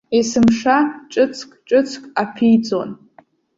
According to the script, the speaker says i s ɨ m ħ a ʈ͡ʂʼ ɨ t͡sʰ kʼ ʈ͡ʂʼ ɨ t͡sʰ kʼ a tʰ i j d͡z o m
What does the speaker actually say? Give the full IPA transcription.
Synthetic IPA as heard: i s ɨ m ʂ a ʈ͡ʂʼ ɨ t͡sʰ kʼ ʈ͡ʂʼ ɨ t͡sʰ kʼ a pʰ i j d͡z o n